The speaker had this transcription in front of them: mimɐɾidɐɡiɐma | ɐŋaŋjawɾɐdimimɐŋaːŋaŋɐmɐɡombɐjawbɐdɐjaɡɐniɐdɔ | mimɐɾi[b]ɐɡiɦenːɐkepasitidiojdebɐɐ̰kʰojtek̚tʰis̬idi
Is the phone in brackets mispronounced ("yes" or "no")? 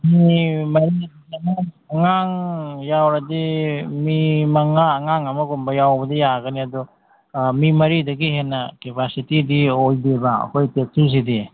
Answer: yes